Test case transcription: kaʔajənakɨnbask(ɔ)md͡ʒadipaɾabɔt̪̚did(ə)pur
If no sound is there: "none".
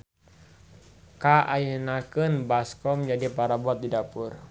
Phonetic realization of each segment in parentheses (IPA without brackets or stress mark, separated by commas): ɔ, a